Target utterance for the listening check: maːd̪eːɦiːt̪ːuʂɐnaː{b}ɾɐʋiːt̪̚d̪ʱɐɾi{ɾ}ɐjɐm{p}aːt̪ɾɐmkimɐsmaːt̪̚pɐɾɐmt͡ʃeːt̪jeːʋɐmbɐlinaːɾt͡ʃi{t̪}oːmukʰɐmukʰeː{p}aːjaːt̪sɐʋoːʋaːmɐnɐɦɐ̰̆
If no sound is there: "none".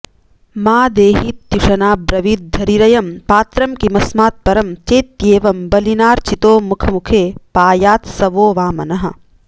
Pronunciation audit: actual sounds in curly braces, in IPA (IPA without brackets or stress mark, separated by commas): b, ɾ, p, t̪, p